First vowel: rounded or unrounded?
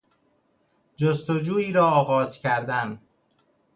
rounded